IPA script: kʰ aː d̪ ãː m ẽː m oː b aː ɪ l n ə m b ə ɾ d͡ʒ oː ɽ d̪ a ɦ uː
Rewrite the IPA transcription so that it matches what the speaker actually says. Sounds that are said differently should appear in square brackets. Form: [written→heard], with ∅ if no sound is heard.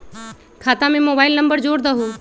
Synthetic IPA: kʰ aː [d̪→t̪] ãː m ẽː m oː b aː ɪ l n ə m b ə ɾ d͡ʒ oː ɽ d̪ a ɦ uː